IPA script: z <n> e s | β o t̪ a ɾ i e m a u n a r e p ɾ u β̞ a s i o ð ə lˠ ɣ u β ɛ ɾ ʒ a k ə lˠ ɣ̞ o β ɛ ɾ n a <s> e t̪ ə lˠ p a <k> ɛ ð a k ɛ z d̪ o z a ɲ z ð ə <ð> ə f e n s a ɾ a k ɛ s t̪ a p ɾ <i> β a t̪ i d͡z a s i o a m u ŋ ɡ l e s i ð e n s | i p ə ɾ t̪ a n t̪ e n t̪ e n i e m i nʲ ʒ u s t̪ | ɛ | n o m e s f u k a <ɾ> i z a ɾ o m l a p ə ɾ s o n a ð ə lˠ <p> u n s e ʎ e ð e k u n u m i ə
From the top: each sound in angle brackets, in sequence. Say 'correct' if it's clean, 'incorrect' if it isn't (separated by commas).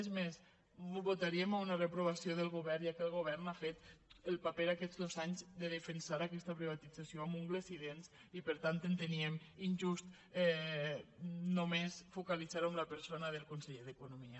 incorrect, incorrect, incorrect, correct, correct, incorrect, incorrect